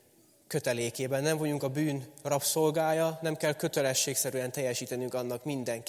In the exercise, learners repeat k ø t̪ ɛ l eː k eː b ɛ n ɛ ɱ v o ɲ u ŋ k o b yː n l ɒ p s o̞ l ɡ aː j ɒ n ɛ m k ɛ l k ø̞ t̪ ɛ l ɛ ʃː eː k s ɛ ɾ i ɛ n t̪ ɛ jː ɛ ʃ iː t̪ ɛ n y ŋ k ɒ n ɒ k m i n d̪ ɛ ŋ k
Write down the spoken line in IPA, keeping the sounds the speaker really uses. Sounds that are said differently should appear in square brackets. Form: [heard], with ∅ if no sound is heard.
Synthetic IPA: k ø t̪ ɛ l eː k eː b ɛ [nː] ɛ ɱ v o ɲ u ŋ k [ɒ] b yː n [r] ɒ p s o̞ l ɡ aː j ɒ n ɛ m k ɛ l k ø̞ t̪ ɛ l ɛ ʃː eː k s ɛ ɾ [y] ɛ n t̪ ɛ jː ɛ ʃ iː t̪ ɛ n y ŋ k ɒ [nː] ɒ k m i n d̪ ɛ ŋ k